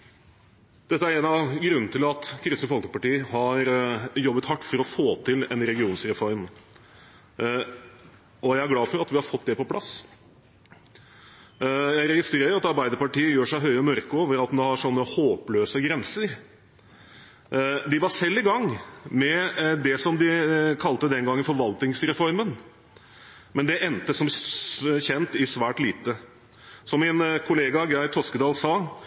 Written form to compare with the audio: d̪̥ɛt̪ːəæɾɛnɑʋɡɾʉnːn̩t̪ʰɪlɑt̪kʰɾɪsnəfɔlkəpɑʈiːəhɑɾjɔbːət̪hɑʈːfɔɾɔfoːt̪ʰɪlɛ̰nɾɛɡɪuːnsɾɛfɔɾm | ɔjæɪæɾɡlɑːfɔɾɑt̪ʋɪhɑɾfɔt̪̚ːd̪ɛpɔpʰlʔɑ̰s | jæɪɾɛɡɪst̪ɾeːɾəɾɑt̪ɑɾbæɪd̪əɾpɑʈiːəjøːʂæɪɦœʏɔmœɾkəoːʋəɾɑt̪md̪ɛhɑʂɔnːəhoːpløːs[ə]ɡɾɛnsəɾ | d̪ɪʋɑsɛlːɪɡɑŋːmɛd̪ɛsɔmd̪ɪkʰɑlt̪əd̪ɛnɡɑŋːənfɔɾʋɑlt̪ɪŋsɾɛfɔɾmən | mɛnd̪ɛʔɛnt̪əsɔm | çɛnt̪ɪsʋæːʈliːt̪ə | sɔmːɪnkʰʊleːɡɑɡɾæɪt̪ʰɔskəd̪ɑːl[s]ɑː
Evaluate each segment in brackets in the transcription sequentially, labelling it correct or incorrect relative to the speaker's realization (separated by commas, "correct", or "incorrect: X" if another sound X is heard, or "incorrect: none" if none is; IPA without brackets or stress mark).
correct, correct